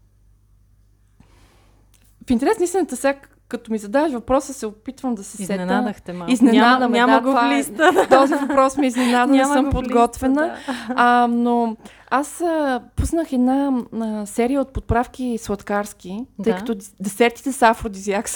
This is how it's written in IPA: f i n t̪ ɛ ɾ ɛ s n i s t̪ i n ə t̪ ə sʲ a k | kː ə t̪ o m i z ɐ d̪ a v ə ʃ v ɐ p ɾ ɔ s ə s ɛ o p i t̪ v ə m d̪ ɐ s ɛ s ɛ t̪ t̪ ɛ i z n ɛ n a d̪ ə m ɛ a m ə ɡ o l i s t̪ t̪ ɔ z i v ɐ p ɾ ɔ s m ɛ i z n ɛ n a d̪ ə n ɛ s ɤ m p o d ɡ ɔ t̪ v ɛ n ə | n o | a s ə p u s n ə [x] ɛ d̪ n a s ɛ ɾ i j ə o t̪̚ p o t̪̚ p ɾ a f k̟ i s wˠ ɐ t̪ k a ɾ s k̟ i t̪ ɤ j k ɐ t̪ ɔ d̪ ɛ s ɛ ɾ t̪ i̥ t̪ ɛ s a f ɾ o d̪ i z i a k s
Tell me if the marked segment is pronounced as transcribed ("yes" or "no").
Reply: yes